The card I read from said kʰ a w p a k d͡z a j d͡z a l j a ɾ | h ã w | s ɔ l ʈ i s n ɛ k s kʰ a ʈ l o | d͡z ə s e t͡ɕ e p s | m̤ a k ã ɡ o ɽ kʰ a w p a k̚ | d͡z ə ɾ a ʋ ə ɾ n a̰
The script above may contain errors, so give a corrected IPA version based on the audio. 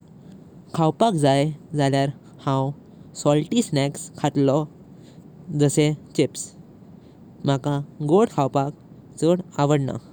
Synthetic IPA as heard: kʰ a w p a k d͡z a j d͡z a l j a ɾ | h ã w | s ɔ l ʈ i s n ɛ k s kʰ a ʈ l ɔ | d͡z ə s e t͡ɕ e p s | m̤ a k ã ɡ o ɽ kʰ a w p a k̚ | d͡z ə ɽ a ʋ ə ɽ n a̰